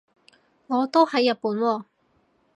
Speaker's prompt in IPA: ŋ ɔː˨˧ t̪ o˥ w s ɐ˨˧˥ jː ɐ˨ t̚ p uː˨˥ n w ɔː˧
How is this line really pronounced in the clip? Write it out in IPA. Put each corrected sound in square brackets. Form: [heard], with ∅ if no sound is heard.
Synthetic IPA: ŋ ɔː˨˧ t̪ o˥ w [h] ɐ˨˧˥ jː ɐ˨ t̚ p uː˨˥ n w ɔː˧